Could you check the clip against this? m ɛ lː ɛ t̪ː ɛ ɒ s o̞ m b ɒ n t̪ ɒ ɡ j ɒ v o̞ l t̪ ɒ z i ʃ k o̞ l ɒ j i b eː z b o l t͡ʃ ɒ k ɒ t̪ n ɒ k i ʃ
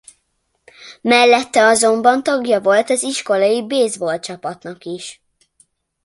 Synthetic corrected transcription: m ɛ lː ɛ t̪ː ɛ ɒ z o̞ m b ɒ n t̪ ɒ ɡ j ɒ v o̞ l t̪ ɒ z i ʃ k o̞ l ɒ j i b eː z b o l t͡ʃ ɒ p ɒ t̪ n ɒ k i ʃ